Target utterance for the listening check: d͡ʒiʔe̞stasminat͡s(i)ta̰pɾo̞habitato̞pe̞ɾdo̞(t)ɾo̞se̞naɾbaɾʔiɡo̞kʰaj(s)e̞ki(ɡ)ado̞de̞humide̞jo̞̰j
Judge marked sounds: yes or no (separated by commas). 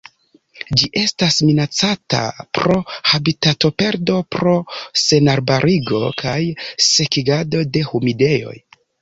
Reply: no, no, yes, yes